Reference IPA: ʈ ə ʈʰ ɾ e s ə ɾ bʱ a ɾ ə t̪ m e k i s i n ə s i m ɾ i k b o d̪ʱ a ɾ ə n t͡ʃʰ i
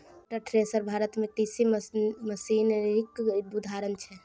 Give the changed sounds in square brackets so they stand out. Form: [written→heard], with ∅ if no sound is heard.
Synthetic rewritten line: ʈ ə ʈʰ ɾ e s ə ɾ bʱ a ɾ ə t̪ m e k i s i [n→m] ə s i [m→n] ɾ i k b [o→u] d̪ʱ a ɾ ə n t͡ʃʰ [i→ɛ]